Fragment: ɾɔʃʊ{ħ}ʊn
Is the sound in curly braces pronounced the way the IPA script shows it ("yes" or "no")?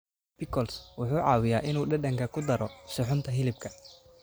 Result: yes